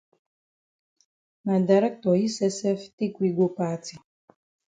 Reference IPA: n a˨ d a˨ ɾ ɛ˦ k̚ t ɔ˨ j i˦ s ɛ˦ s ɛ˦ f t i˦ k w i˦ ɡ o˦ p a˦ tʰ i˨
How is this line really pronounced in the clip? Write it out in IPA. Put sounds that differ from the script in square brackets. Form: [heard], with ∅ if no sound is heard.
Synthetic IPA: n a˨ d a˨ ɾ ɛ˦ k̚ t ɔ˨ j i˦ s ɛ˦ s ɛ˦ f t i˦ k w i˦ ɡ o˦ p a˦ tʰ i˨